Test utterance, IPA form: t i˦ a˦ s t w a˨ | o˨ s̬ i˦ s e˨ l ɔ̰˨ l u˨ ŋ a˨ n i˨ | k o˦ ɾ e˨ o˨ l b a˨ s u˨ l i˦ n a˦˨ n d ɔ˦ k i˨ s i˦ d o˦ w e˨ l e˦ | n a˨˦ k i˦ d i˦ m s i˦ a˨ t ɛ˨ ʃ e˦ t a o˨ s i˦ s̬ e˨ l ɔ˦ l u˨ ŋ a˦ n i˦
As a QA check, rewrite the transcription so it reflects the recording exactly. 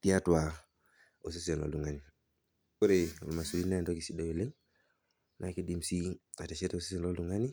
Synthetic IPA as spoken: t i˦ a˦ t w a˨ | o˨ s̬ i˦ s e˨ l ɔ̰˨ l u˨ ŋ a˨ n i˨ | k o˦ ɾ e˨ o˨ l m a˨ s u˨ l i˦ n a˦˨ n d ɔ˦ k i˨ s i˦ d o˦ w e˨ l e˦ | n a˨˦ k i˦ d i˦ m s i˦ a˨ t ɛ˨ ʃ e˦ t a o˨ s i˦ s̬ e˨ l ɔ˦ l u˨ ŋ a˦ n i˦